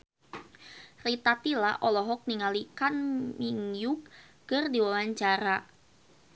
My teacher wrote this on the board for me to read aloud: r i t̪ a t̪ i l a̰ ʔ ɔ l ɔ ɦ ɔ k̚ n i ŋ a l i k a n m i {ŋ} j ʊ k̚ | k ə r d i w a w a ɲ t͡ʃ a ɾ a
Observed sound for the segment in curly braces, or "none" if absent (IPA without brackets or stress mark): ŋ